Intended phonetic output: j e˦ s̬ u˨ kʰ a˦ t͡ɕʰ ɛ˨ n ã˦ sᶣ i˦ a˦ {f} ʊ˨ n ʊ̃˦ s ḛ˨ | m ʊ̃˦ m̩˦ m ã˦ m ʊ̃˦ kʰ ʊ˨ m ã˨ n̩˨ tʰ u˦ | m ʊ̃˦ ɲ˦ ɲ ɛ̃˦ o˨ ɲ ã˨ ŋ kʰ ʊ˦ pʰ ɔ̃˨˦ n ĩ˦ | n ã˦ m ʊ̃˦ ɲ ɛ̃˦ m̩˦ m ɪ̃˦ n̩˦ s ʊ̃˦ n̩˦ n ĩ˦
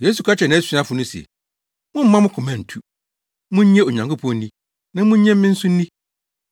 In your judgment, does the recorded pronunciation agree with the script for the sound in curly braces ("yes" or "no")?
yes